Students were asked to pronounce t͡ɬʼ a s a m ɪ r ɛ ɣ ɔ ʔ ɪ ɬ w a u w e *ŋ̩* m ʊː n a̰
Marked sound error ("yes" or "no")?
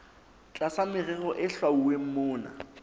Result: yes